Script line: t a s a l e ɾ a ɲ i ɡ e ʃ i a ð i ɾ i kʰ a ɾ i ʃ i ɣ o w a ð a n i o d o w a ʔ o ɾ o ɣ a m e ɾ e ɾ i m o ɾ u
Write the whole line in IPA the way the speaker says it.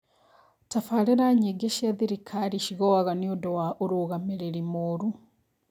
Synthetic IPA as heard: t a f a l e ɾ a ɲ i ɡ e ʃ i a ð i ɾ i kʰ a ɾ i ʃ i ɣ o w a ɣ a n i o d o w a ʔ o ɾ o ɣ a m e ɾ e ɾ i m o ɾ u